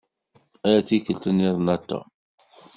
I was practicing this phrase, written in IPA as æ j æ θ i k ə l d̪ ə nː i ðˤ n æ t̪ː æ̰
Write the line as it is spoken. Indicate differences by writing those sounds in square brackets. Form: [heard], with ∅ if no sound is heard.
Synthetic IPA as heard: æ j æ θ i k ə l [t̪] ə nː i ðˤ n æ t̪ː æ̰